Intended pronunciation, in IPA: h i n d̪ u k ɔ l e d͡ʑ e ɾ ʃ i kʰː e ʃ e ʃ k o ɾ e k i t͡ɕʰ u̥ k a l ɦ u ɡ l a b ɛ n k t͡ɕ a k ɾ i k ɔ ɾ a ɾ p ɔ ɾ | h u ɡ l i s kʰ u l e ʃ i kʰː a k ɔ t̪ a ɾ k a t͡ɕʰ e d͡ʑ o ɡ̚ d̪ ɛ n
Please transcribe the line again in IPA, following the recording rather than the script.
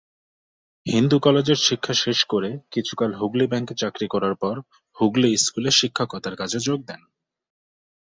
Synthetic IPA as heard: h i n d̪ u k ɔ l e d͡ʑ e ɾ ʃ i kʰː a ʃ e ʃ k o ɾ e k i t͡ɕʰ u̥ k a l ɦ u ɡ l i b ɛ ŋ k t͡ɕ a k ɾ i k ɔ ɾ a ɾ p ɔ ɾ | h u ɡ l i s k u l e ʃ i kʰː a k ɔ t̪ a ɾ k a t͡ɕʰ e d͡ʑ o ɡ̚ d̪ ɛ n